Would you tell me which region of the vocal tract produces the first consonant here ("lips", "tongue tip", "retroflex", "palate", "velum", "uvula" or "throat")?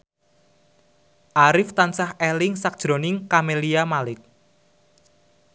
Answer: throat